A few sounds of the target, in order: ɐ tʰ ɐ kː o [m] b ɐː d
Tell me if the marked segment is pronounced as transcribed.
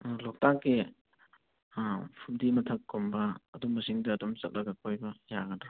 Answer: yes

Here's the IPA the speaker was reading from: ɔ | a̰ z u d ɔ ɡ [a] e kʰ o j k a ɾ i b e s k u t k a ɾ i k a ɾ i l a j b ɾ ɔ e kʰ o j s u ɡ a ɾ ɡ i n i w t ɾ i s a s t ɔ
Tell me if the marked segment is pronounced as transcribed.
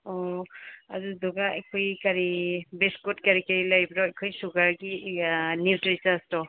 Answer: yes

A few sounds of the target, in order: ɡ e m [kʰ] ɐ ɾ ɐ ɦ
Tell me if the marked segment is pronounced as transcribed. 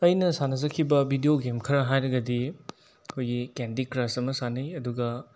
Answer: yes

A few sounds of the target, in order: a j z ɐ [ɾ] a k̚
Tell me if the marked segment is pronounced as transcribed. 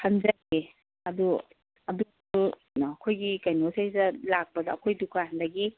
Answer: no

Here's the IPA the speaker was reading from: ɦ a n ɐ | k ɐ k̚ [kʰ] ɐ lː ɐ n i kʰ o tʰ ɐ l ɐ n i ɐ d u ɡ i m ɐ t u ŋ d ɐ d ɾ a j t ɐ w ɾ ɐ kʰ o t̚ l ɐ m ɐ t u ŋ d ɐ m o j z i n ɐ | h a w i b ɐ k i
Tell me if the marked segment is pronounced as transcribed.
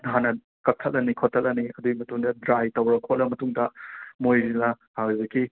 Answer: no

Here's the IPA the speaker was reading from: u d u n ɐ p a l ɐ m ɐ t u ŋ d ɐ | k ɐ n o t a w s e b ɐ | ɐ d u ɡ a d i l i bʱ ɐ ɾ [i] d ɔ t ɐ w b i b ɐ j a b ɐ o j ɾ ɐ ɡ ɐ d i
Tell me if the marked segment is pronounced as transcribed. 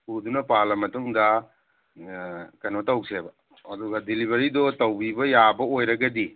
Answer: yes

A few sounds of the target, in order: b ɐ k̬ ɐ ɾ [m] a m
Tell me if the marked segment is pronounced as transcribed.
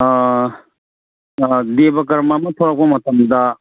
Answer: yes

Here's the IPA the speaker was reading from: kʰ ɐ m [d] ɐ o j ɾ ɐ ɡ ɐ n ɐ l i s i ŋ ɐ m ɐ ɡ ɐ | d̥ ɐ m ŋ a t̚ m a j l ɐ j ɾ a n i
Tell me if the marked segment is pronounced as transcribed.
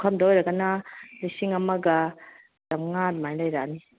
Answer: yes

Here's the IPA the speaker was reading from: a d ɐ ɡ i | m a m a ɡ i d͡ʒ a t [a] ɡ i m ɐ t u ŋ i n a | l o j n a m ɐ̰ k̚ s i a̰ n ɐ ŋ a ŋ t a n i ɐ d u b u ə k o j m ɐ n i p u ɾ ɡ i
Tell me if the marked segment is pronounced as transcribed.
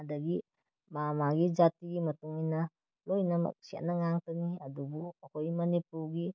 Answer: no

